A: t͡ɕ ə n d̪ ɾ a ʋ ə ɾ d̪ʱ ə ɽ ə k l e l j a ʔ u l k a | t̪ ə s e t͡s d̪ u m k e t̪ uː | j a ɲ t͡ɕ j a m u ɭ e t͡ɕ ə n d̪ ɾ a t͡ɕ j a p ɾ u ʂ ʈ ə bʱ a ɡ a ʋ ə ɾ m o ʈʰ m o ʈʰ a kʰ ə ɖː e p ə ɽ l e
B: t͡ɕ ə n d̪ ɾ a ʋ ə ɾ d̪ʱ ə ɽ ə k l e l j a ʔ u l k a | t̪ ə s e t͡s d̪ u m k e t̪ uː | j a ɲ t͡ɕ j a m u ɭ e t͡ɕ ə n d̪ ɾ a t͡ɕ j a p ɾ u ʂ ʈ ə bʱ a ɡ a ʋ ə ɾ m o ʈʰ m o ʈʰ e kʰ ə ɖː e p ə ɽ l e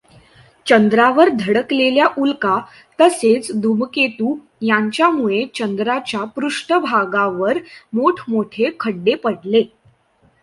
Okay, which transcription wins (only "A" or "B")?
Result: B